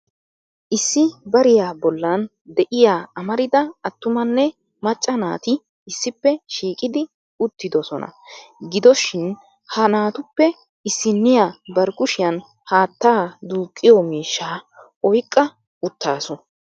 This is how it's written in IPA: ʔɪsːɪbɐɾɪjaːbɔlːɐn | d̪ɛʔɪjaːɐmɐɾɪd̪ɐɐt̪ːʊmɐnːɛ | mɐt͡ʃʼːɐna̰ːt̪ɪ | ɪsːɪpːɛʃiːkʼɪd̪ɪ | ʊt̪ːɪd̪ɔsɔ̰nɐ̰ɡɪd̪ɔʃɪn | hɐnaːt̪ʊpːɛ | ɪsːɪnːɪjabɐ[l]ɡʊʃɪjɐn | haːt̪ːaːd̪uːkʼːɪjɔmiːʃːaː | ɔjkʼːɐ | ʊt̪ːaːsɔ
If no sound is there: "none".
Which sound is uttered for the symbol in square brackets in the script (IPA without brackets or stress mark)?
ɾ